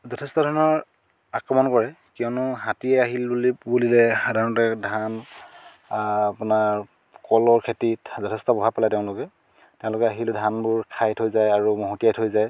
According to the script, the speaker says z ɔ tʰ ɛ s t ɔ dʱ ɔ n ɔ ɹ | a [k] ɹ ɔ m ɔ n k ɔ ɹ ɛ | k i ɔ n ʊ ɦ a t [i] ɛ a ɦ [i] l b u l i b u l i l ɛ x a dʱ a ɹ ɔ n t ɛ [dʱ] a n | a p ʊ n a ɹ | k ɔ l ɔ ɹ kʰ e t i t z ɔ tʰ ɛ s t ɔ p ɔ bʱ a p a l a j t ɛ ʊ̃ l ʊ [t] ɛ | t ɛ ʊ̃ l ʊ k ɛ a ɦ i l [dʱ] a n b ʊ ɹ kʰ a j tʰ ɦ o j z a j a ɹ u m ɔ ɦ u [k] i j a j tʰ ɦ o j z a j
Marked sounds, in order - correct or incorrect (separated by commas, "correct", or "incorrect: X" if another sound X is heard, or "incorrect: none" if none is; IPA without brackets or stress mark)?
correct, correct, correct, correct, incorrect: k, correct, incorrect: t